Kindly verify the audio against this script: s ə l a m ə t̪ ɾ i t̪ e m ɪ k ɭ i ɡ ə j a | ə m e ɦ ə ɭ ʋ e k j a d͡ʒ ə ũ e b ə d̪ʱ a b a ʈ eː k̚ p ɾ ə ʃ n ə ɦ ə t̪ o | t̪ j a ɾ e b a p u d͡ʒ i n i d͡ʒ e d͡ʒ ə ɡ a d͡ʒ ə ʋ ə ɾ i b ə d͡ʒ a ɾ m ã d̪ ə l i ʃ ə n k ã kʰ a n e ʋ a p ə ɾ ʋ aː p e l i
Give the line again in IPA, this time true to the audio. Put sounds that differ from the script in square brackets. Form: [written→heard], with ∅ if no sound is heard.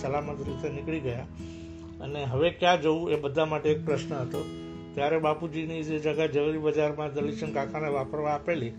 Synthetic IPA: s ə l a m ə t̪ ɾ i t̪ e [m→n] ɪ k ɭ i ɡ ə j a | ə [m→n] e ɦ ə [ɭ→∅] ʋ e k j a d͡ʒ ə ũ e b ə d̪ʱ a [b→m] a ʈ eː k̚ p ɾ ə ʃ n ə ɦ ə t̪ o | t̪ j a ɾ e b a p u d͡ʒ i n i d͡ʒ e d͡ʒ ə ɡ a d͡ʒ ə ʋ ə ɾ i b ə d͡ʒ a ɾ m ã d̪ ə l i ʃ ə n k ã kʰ a n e ʋ a p ə ɾ ʋ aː p e l i